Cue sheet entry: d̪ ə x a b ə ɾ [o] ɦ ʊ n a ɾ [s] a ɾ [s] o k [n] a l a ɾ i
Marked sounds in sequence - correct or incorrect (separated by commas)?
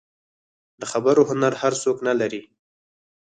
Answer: correct, incorrect, correct, correct